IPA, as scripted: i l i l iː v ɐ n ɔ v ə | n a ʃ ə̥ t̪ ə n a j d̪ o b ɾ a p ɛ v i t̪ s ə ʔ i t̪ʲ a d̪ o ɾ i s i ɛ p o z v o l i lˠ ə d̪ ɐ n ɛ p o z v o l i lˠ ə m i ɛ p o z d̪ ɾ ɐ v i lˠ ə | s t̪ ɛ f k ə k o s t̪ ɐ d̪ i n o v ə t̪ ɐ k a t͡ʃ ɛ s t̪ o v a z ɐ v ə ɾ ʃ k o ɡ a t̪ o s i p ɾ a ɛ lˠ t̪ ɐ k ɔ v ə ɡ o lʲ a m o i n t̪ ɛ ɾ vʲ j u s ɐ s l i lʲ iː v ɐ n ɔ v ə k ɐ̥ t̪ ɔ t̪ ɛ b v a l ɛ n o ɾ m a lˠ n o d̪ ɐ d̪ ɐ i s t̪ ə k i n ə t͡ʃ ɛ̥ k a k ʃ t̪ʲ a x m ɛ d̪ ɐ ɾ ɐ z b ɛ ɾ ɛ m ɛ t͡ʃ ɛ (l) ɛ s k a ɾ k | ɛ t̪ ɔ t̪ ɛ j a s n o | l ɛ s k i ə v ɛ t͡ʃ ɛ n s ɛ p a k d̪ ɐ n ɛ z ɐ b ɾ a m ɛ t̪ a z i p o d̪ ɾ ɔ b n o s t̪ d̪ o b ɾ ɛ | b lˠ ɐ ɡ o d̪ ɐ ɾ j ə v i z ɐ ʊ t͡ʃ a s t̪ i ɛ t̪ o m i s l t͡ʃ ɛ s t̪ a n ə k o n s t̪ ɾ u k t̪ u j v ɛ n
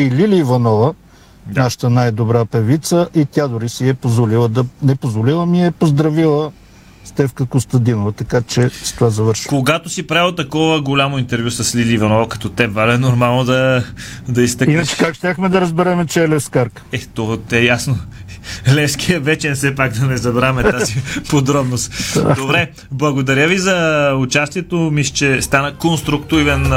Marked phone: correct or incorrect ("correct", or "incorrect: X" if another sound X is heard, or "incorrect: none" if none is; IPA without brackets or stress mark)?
correct